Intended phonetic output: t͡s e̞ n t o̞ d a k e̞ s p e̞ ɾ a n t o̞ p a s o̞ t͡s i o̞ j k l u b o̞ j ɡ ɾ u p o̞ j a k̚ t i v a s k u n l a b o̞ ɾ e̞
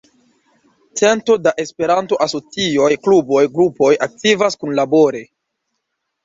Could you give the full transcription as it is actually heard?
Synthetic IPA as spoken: t͡s e̞ n t o̞ d a ʔ e̞ s p e̞ ɾ a n t o̞ ʔ a s o̞ t͡s i o̞ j k l u b o̞ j ɡ ɾ u p o̞ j a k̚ t i v a s k u n l a b o̞ ɾ e̞

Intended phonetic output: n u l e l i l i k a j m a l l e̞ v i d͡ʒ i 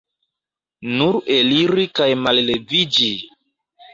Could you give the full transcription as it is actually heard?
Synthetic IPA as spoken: n u ɾ e l i ɾ i k a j m a l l e̞ v i d͡ʒ i

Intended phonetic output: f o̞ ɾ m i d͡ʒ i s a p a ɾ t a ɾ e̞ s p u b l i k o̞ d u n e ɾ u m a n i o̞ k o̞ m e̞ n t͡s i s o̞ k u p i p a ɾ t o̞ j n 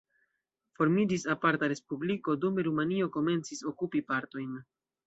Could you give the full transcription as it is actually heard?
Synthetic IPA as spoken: f o̞ ɾ m i d͡ʒ i s a p a ɾ t a ɾ e̞ s p u b l i k o̞ d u m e ɾ u m a n i o̞ k o̞ m e̞ n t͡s i s o̞ k u p i p a ɾ t o̞ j n

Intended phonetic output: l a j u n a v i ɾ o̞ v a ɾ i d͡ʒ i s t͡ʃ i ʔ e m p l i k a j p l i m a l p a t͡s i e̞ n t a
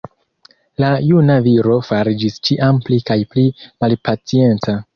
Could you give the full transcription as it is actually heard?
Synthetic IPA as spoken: l a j u n a v i ɾ o̞ f a ɾ i d͡ʒ i s t͡ʃ i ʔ a m p l i k a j p l i m a l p a t͡s i e̞ n t͡s a

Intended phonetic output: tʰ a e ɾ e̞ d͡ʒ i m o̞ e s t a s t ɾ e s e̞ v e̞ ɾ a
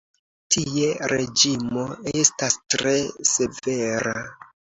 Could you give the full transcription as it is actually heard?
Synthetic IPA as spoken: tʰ i e ɾ e̞ d͡ʒ i m o̞ e s t a s t ɾ e s e̞ v e̞ ɾ a

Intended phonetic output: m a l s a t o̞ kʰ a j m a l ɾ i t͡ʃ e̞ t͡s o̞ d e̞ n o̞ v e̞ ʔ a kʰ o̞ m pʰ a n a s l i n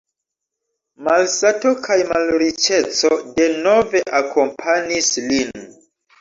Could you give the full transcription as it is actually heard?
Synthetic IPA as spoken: m a l s a t o̞ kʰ a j m a l ɾ i t͡ʃ e̞ t͡s o̞ d e̞ n o̞ v e̞ ʔ a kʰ o̞ m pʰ a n i s l i n

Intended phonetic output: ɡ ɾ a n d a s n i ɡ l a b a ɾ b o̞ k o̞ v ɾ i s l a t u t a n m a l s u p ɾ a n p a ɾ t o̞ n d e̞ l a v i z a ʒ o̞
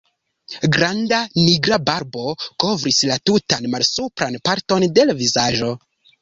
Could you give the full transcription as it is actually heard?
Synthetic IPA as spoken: ɡ ɾ a n d a n i ɡ ɾ a b a ɾ b o̞ k o̞ v ɾ i s l a t u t a n m a l s u p ɾ a n p a ɾ t o̞ n d e̞ l a v i z a ʒ o̞

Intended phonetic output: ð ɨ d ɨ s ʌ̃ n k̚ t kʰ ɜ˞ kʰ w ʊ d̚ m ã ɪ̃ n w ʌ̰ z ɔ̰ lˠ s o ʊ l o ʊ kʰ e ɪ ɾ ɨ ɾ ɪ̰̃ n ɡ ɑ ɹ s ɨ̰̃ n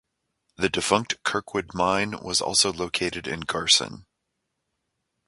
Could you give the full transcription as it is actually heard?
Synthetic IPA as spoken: ð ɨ d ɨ f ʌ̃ ŋ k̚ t kʰ ɜ˞ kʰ w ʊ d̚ m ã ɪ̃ n w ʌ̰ z ɔ̰ lˠ s o ʊ l o ʊ kʰ e ɪ ɾ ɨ ɾ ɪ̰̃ n ɡ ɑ ɹ s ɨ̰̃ n

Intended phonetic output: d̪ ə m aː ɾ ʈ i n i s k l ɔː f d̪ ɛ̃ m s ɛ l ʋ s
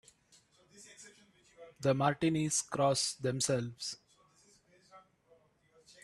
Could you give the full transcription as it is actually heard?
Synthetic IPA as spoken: d̪ ə m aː ɾ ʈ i n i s k ɾ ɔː s d̪ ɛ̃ m s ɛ l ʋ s

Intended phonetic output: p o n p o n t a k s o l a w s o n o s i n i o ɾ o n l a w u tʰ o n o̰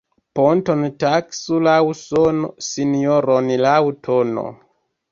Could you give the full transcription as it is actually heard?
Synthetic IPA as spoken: p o n t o n t a k s u l a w s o n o s i n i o ɾ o n l a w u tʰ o n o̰

